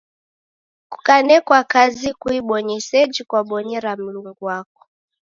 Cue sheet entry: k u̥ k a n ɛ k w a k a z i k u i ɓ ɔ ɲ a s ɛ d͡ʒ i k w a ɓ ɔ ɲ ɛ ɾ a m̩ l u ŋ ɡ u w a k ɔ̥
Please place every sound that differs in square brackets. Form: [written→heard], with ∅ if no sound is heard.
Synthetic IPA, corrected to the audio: k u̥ k a n ɛ k w a k a z i k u i ɓ ɔ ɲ [a→ɛ] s ɛ d͡ʒ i k w a ɓ ɔ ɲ ɛ ɾ a m̩ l u ŋ ɡ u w a k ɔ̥